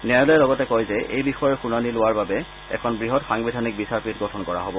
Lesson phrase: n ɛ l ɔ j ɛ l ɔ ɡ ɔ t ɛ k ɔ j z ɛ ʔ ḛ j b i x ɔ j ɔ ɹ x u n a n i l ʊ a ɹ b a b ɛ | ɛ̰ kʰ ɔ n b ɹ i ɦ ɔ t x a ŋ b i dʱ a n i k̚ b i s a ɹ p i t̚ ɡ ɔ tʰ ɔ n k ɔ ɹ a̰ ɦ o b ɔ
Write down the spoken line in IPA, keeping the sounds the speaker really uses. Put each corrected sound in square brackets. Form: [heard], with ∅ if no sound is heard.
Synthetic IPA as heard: n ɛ l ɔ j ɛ l ɔ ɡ ɔ t ɛ k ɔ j z ɛ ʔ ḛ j b i x ɔ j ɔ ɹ x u n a n i l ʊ a ɹ b a b ɛ | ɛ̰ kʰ ɔ n b ɹ i ɦ ɔ t x a ŋ b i dʱ a n i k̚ b i s a ɹ p i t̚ ɡ ɔ tʰ ɔ n k ɔ ɹ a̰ ɦ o b ɔ